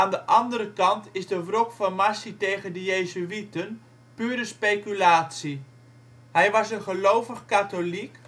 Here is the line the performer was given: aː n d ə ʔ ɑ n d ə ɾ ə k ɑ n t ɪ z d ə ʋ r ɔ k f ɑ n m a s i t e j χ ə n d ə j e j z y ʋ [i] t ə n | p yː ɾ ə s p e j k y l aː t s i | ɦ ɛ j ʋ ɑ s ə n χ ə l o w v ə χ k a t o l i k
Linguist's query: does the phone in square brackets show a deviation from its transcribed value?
no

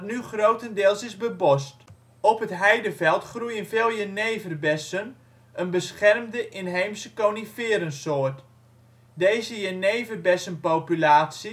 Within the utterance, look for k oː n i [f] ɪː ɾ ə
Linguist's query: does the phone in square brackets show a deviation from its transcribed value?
no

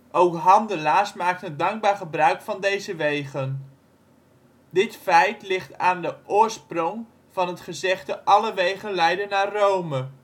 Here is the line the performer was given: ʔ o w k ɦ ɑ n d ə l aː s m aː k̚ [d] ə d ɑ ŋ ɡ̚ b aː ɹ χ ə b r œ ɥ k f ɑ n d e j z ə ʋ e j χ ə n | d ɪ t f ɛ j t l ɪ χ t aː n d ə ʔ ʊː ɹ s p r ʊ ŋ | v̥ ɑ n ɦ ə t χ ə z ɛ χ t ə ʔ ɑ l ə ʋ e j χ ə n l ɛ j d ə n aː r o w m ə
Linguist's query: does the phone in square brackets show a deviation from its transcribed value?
yes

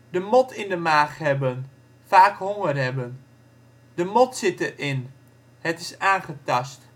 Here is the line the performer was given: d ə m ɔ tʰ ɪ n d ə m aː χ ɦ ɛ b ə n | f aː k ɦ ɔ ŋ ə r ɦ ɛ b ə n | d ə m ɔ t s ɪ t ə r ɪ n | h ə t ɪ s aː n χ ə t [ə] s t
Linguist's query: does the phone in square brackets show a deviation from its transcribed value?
yes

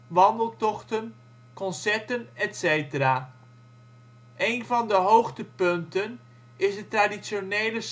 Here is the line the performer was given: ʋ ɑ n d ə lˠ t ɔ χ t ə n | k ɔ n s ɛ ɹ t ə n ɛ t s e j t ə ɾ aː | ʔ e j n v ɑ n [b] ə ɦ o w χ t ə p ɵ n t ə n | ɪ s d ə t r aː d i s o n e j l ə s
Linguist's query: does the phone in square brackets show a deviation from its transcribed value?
yes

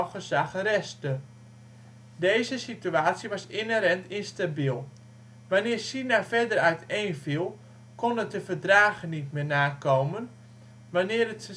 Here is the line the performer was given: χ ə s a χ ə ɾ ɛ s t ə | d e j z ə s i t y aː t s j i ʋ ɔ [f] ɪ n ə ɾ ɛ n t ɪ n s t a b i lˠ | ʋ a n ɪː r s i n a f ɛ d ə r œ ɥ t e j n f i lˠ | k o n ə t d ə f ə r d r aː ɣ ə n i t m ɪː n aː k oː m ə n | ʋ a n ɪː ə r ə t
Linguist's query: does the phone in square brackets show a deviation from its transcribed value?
yes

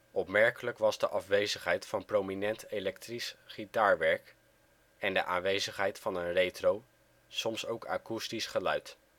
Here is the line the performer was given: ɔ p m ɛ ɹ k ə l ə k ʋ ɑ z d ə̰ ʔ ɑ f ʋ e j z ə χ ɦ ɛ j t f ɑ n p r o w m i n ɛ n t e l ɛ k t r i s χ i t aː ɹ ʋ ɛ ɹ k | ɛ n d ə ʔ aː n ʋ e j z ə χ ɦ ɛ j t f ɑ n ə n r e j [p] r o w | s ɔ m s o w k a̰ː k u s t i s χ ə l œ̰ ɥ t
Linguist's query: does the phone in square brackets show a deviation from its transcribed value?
yes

